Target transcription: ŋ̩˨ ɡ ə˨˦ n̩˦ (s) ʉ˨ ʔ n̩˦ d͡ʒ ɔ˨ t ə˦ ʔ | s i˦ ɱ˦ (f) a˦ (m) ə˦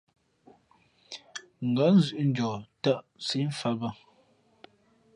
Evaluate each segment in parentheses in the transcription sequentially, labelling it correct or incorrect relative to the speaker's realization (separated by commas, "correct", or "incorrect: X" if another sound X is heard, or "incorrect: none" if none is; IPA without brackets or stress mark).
incorrect: z, correct, incorrect: b